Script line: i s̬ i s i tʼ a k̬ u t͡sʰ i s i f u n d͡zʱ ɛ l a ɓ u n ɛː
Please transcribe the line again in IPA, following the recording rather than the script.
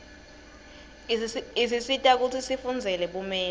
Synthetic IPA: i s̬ i s i tʼ a k̬ u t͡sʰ i s i f u n d͡zʱ ɛ l ɛ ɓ u m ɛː